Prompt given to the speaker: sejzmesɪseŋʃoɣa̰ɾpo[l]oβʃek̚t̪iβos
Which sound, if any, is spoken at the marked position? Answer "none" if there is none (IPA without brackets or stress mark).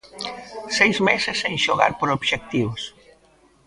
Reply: ɾ